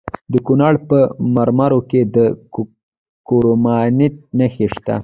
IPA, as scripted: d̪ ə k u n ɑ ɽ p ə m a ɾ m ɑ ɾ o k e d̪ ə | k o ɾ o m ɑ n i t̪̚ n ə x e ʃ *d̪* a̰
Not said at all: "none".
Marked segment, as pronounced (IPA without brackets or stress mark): t̪